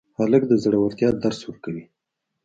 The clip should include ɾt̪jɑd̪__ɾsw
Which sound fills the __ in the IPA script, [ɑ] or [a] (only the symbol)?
a